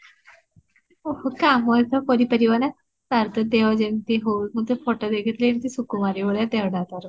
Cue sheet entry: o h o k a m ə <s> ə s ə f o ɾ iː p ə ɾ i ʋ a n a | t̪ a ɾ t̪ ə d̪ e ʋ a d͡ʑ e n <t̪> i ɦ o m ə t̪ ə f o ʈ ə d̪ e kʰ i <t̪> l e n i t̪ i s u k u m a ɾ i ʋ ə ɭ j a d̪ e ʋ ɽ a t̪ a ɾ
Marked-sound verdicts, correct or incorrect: incorrect: none, correct, correct

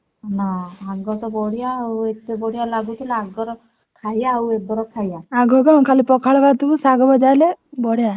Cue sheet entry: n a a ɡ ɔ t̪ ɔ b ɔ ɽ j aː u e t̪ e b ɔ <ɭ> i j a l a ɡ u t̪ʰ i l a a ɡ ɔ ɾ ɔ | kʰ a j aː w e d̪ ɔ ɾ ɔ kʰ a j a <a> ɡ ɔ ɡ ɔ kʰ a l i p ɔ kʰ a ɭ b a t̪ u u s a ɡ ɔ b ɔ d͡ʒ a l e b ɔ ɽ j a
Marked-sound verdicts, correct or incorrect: incorrect: ɽ, correct

